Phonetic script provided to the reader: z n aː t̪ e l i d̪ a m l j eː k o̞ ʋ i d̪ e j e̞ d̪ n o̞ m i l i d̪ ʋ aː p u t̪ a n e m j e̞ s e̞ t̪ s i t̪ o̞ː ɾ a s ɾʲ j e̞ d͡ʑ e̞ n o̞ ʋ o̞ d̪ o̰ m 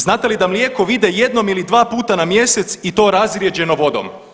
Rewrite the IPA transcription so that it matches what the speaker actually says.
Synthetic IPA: z n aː t̪ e l i d̪ a m l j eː k o̞ ʋ i d̪ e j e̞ d̪ n o̞ m i l i d̪ ʋ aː p uː t̪ a n a m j e̞ s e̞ t̪ s i t̪ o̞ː ɾ a z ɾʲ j e̞ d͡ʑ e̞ n o̞ ʋ o̞ d̪ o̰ m